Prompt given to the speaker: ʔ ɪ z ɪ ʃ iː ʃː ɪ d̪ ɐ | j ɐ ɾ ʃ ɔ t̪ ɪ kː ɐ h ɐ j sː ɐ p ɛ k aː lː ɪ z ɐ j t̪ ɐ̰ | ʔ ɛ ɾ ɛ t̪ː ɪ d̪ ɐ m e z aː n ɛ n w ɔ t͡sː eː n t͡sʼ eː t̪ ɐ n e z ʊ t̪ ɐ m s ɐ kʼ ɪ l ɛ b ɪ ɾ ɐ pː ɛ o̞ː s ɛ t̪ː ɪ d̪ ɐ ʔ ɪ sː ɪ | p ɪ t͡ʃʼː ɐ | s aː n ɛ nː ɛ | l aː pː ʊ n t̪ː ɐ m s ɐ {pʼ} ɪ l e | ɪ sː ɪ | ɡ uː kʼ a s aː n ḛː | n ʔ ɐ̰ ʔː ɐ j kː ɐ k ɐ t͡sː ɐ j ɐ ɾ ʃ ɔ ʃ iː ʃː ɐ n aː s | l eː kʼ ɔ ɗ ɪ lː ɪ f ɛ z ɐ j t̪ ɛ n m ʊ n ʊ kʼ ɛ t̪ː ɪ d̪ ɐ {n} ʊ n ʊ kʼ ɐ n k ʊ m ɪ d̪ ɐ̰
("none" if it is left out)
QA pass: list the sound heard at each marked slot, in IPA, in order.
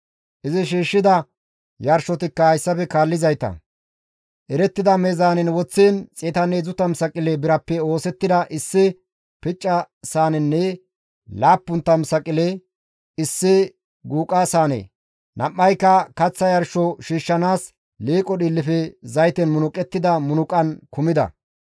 kʼ, m

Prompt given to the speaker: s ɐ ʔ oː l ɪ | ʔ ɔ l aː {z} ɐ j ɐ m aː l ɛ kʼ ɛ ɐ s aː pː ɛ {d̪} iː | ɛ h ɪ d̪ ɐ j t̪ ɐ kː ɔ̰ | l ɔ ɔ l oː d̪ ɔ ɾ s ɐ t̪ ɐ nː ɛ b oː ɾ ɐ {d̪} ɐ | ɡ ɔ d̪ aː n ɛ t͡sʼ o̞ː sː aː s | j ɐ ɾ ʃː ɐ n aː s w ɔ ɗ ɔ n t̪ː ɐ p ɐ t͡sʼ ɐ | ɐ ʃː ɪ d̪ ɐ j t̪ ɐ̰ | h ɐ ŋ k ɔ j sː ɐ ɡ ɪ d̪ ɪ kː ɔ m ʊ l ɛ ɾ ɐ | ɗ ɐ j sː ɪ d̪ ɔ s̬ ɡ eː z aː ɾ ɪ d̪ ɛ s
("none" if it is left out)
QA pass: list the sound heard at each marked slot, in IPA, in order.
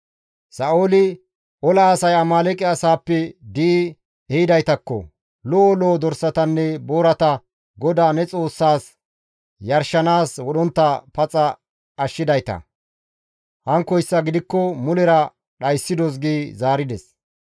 s, d̪, t̪

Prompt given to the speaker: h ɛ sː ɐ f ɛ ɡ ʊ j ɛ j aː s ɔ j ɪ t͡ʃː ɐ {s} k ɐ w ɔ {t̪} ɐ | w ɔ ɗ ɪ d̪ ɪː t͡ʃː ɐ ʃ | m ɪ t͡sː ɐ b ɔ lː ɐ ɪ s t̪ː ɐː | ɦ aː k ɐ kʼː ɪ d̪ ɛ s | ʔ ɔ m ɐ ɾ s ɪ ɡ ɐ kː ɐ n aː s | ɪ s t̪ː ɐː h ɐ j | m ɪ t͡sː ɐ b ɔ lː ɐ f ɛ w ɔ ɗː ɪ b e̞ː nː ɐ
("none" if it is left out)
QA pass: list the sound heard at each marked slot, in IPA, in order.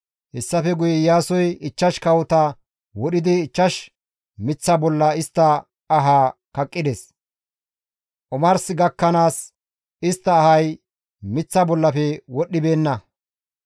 ʃ, t̪

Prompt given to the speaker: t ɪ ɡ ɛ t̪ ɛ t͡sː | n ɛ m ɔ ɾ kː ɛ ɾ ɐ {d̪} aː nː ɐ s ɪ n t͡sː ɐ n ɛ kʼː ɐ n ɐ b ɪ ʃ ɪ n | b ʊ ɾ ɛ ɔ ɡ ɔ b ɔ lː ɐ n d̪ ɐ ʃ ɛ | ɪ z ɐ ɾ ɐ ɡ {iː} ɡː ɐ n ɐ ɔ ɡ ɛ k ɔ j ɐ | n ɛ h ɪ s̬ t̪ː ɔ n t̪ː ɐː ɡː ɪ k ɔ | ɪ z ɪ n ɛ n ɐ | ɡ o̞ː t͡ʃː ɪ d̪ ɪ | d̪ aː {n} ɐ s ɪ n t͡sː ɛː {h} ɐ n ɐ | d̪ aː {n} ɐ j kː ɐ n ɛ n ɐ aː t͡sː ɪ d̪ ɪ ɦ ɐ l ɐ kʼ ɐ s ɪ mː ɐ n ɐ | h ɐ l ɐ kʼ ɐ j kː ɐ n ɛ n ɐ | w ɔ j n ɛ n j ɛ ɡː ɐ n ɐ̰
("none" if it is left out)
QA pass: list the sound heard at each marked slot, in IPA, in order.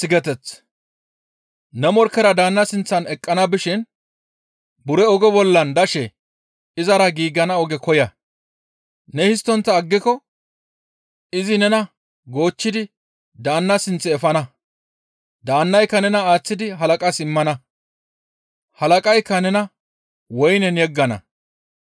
d̪, iː, nː, f, nː

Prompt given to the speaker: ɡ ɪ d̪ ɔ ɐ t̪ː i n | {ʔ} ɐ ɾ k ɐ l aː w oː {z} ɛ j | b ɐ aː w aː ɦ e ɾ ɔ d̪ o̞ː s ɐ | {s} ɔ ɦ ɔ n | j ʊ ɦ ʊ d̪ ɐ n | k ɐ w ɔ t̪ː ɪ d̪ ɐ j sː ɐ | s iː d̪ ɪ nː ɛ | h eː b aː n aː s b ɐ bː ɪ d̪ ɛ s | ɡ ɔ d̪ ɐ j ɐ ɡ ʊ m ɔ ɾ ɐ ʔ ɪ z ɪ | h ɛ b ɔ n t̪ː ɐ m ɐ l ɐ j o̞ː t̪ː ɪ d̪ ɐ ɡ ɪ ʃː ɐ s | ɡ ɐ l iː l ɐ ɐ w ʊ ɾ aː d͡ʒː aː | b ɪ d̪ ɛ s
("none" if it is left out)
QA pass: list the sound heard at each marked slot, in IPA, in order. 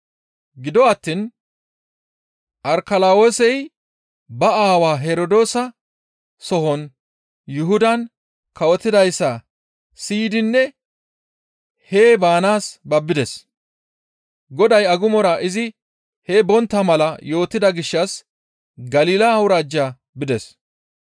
ʔ, s, s

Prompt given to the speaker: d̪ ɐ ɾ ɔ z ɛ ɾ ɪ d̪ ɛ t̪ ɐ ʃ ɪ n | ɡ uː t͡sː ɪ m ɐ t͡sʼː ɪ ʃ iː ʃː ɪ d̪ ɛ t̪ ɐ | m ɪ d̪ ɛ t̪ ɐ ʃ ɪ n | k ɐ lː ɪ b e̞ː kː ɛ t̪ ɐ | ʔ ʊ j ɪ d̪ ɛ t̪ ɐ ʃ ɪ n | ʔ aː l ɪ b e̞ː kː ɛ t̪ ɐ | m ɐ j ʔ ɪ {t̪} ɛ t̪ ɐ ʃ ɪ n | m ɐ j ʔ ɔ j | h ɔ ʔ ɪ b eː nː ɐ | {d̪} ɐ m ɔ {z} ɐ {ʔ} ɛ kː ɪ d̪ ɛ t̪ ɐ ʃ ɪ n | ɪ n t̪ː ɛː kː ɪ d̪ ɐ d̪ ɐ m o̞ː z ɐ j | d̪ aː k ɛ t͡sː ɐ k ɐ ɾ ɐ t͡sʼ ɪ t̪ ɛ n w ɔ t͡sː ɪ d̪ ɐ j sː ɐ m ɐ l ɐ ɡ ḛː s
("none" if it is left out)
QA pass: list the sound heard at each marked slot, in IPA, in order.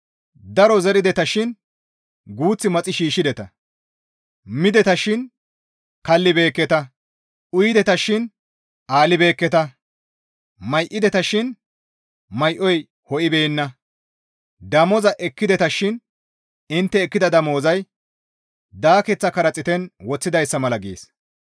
d̪, d̪, z, ʔ

